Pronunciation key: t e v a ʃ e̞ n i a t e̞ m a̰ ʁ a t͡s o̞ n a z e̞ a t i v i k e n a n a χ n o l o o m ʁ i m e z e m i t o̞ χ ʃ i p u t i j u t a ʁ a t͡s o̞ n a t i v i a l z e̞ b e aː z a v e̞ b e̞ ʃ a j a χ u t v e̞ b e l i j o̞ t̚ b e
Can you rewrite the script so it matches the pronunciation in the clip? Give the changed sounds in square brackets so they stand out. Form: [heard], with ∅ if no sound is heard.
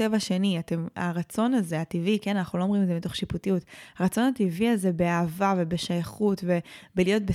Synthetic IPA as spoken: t e v a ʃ e̞ n i a t e̞ m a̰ ʁ a t͡s o̞ n a z e̞ a t i v i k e n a n a χ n [u] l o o m ʁ i m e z e m i t o̞ χ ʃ i p u t i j u t a ʁ a t͡s o̞ n a t i v i a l z e̞ b e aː [v] a v e̞ b e̞ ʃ a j a χ u t v e̞ b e l i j o̞ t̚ b e